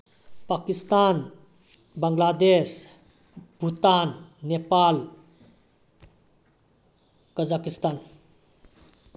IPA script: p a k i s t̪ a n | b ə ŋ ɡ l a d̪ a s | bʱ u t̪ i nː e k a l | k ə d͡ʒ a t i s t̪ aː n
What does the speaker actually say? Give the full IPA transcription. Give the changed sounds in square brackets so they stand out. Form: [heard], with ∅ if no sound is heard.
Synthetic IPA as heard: p a k i s t̪ a n | b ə ŋ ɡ l a d̪ [e] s | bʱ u t̪ [a] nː e [p] a l | k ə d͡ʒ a [k] i s t̪ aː n